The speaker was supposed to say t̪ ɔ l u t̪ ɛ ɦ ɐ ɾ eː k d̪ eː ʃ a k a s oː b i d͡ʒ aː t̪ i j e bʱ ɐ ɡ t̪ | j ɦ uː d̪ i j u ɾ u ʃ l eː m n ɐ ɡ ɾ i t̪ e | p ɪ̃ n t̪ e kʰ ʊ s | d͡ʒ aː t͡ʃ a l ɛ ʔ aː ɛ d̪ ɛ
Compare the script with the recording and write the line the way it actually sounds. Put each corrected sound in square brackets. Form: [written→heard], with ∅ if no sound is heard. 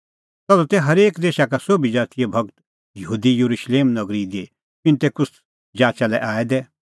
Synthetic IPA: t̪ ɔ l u t̪ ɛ ɦ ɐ ɾ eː k d̪ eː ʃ a k a s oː b i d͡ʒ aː t̪ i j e bʱ ɐ ɡ t̪ | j ɦ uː d̪ i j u ɾ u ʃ l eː m n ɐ ɡ ɾ i [t̪→d̪] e | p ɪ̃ n t̪ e [kʰ→k] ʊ s | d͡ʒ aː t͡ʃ a l ɛ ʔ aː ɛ d̪ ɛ